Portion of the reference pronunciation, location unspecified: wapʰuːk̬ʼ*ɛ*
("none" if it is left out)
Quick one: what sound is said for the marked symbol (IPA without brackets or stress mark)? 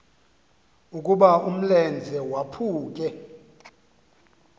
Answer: ɛ